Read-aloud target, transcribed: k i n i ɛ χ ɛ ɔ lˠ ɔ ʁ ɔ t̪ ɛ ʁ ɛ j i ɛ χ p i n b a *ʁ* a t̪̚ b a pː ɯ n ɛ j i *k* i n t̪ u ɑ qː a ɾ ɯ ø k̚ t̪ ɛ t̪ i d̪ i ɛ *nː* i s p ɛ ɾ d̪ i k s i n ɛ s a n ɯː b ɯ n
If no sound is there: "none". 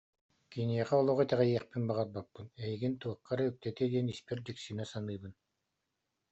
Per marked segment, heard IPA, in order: ʁ, ɡ, n

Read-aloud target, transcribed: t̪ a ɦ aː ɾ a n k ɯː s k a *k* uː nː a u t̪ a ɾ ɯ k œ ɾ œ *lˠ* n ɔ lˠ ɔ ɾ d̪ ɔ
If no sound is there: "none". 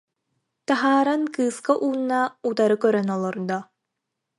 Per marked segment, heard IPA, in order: ʔ, none

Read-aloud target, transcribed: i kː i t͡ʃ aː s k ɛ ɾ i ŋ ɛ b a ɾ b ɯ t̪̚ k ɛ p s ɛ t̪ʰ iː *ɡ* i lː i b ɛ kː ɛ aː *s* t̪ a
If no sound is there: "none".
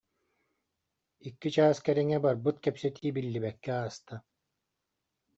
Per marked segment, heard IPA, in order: b, s

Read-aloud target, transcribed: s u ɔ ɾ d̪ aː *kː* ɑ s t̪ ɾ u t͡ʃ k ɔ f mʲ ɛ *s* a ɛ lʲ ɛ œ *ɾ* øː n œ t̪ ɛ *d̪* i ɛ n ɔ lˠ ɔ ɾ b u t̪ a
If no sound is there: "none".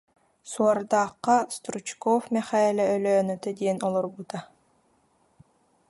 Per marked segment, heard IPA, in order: qː, χ, l, d̪

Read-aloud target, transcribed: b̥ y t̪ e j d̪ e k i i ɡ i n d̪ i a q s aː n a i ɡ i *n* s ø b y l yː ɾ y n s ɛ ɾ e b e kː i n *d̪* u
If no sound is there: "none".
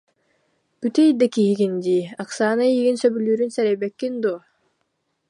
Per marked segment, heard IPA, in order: n, d̪

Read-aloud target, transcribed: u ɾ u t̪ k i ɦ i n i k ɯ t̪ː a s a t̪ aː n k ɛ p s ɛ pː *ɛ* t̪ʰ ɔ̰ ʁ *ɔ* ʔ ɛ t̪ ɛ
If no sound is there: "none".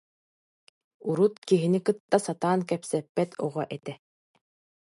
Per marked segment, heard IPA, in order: ɛ, ɔ

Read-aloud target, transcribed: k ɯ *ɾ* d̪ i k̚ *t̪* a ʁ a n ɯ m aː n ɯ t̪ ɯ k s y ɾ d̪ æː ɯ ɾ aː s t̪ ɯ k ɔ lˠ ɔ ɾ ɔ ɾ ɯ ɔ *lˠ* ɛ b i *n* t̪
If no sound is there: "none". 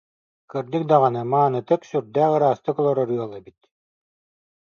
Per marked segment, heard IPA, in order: ɾ, d̪, lˠ, none

